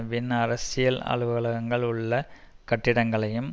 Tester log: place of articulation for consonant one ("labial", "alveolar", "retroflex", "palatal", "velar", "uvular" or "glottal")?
labial